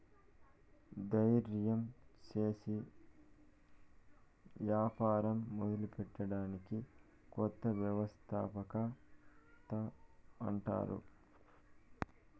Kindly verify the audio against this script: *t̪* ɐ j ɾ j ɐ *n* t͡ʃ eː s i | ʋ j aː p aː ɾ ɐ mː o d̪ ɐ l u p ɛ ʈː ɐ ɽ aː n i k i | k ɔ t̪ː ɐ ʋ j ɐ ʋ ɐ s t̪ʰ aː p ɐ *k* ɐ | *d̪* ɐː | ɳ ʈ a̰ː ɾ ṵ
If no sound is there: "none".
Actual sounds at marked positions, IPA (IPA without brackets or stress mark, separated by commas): d̪, m, k, t̪